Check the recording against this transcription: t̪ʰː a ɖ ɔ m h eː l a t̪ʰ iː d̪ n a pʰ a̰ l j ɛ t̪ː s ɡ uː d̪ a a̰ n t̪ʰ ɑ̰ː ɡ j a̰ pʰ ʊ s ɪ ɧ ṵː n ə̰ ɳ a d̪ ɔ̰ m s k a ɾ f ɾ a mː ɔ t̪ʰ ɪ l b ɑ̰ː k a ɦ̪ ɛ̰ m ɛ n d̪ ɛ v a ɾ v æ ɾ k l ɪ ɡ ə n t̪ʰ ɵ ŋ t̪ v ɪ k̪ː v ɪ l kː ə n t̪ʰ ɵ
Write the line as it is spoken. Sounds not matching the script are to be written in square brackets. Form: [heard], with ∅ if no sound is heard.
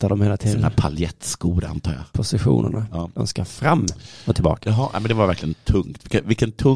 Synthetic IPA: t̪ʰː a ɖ ɔ m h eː l a t̪ʰ iː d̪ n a pʰ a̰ l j ɛ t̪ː s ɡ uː d̪ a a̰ n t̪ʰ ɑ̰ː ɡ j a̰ pʰ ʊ s ɪ ɧ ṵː n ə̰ ɳ a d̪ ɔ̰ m s k a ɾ f ɾ a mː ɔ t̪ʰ ɪ l b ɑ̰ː k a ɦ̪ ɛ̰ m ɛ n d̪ ɛ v a ɾ v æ ɾ k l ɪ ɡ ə n t̪ʰ ɵ ŋ t̪ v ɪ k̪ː v ɪ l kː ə n t̪ʰ ɵ